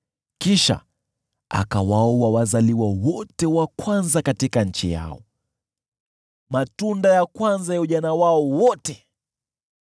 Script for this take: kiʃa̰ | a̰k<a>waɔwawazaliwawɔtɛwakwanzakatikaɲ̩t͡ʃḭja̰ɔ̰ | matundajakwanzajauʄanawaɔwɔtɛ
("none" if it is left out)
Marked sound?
a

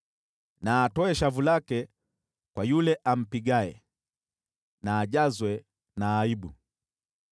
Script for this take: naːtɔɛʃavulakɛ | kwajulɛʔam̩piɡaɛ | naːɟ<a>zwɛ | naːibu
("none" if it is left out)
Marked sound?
a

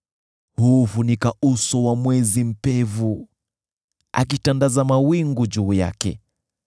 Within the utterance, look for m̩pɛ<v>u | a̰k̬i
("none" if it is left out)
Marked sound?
v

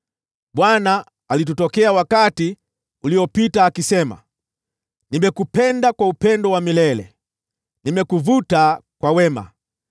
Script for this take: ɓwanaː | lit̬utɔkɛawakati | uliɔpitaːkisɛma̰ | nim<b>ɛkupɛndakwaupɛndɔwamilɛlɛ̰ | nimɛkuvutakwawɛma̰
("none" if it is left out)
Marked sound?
b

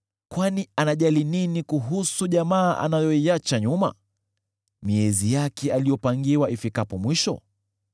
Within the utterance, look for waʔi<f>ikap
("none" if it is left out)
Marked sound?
f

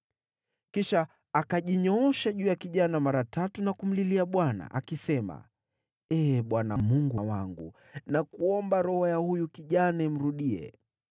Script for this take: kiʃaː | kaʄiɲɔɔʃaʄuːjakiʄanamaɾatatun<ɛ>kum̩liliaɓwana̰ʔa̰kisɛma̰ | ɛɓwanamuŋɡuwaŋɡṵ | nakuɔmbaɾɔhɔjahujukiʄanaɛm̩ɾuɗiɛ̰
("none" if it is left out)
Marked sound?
a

